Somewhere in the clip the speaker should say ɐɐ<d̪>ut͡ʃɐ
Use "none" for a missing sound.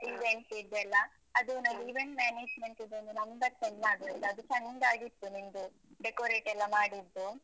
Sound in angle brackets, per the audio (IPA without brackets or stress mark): d̪